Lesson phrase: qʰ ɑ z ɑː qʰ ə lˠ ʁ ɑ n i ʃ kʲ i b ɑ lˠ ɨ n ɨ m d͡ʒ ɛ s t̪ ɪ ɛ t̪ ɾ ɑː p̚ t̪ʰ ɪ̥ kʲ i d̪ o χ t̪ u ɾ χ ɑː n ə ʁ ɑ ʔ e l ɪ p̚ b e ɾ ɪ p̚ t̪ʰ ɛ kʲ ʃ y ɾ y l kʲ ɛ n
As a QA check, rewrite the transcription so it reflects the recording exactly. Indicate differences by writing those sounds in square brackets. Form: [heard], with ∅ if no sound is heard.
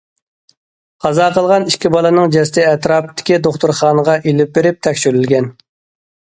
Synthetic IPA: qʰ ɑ z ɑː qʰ ə lˠ ʁ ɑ n i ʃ kʲ i b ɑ lˠ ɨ n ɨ [ŋ] d͡ʒ ɛ s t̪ ɪ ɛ t̪ ɾ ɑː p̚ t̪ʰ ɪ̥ kʲ i d̪ o χ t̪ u ɾ χ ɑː n ə ʁ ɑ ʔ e l ɪ p̚ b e ɾ ɪ p̚ t̪ʰ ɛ kʲ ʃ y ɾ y l [ɡʲ] ɛ n